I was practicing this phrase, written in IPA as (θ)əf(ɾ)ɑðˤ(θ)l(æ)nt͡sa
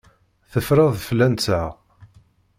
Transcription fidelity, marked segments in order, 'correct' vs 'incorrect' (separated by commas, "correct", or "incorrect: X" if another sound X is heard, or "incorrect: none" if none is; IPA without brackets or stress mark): correct, correct, incorrect: f, correct